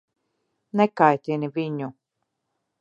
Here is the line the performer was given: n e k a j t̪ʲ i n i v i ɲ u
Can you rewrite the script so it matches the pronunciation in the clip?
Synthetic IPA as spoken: n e k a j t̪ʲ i n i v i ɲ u